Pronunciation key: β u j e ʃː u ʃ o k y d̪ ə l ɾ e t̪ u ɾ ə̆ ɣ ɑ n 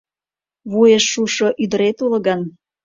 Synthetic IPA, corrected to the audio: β u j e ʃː u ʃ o ʔ y d̪ ə ɾ e t̪ u l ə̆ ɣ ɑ n